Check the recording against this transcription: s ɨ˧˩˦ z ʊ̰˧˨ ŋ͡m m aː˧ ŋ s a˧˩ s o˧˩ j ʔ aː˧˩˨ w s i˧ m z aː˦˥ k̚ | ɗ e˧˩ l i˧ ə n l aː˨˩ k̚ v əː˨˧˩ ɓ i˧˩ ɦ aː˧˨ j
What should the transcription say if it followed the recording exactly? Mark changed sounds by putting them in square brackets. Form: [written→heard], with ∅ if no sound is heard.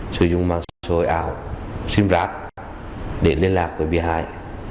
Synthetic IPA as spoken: s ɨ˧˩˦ z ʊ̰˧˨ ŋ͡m m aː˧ ŋ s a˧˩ s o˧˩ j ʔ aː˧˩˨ w s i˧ m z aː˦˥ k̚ | ɗ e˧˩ l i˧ ə n l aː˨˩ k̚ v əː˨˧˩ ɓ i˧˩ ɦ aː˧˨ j